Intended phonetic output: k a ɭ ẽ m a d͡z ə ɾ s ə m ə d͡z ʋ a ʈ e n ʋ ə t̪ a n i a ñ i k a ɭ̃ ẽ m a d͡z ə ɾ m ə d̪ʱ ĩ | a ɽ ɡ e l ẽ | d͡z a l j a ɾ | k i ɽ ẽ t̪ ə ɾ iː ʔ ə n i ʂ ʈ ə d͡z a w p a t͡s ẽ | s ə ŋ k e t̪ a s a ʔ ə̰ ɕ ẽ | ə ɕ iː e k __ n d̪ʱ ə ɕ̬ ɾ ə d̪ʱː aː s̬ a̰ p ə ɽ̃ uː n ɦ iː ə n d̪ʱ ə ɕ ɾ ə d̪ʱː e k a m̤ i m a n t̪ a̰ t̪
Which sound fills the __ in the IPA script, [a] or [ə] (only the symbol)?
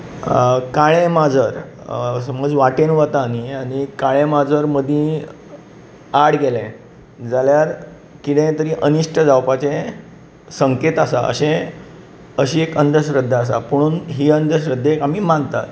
ə